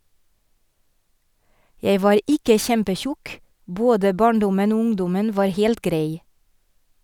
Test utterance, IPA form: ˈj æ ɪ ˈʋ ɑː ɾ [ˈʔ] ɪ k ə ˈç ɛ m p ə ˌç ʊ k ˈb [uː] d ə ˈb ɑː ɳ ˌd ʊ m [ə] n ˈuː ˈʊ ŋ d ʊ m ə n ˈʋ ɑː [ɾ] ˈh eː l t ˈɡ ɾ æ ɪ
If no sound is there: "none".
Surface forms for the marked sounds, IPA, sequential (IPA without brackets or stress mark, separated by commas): ʔ, oː, ə, ɾ